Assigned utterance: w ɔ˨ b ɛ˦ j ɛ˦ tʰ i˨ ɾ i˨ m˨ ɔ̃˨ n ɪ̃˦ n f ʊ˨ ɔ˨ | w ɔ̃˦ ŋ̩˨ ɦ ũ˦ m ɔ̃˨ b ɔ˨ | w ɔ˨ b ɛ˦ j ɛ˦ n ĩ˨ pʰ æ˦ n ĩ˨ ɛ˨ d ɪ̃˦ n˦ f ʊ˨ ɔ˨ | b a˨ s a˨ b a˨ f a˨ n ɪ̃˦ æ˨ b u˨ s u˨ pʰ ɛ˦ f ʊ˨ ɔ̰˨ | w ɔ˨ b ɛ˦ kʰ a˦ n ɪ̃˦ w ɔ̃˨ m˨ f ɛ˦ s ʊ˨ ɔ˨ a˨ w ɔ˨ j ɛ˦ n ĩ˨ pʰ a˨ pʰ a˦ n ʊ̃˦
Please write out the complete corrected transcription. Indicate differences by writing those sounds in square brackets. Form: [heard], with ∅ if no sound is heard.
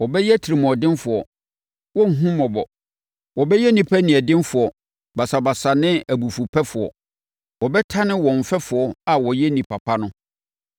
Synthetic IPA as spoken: w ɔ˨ b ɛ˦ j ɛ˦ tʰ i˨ ɾ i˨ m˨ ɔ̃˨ [d] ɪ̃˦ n f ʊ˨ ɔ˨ | w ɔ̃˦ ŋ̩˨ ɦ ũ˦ m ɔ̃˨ b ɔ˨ | w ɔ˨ b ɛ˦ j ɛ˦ n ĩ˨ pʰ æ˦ n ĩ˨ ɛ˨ d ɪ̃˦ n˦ f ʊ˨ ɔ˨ | b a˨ s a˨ b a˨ [s] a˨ n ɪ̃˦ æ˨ b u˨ [f] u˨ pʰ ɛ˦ f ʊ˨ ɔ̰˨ | w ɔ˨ b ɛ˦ [tʰ] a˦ n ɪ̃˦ w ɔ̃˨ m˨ f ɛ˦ [f] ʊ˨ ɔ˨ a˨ w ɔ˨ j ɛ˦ n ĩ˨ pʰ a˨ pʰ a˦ n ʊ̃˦